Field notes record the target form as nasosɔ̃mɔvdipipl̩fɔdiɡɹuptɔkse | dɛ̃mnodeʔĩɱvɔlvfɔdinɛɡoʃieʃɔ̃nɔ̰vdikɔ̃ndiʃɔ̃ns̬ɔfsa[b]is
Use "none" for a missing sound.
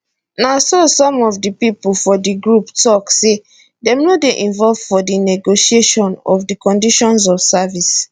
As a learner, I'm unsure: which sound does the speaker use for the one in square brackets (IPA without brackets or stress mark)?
v